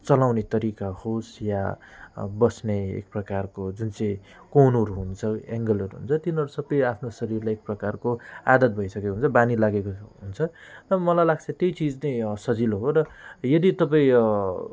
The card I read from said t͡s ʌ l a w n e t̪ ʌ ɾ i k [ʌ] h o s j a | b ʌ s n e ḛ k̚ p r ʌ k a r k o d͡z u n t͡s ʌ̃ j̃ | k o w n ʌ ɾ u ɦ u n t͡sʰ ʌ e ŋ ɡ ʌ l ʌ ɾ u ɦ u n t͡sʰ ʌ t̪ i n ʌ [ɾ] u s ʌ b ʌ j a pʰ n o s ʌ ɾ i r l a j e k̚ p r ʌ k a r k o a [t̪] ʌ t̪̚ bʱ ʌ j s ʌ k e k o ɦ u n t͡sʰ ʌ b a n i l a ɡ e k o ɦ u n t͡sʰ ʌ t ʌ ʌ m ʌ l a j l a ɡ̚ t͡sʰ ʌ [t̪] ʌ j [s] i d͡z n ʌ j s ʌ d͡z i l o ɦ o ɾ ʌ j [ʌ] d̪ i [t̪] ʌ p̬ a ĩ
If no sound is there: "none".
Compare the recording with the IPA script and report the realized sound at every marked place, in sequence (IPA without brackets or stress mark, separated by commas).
a, ɾ, d̪, t̪, t͡s, ʌ, t̪